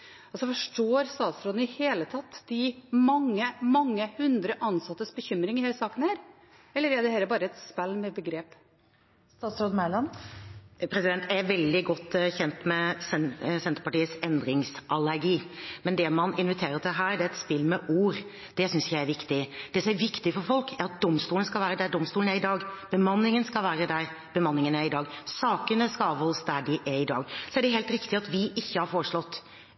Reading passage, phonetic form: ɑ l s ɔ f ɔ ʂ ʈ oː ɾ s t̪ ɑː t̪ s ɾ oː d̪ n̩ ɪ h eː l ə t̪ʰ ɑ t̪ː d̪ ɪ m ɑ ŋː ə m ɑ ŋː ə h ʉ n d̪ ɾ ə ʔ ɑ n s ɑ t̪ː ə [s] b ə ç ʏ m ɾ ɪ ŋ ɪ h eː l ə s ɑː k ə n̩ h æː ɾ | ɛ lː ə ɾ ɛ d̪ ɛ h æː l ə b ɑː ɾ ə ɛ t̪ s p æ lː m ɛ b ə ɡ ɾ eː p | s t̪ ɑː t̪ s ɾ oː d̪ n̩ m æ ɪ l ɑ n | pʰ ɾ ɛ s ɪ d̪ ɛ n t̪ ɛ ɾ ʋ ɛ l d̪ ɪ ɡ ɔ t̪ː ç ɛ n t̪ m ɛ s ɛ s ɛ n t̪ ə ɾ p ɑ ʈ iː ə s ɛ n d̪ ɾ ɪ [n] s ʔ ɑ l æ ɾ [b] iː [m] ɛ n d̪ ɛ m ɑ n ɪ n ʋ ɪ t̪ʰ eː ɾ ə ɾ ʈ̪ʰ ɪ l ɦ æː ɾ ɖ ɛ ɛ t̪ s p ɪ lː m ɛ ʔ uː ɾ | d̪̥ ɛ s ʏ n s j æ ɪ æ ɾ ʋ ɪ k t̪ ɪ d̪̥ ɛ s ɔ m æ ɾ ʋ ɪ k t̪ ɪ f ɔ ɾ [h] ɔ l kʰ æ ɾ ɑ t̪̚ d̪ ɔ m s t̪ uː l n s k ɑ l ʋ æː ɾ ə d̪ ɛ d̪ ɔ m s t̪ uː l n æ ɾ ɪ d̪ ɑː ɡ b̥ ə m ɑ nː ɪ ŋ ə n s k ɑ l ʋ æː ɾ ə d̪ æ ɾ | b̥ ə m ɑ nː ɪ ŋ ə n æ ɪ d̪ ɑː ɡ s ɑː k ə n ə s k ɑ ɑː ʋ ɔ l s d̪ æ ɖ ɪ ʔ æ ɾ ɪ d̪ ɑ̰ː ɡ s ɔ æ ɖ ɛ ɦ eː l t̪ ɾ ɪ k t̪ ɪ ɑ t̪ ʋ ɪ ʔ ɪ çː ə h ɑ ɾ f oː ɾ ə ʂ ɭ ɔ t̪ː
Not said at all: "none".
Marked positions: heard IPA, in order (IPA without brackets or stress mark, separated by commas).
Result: s, ŋ, ɡ, m, f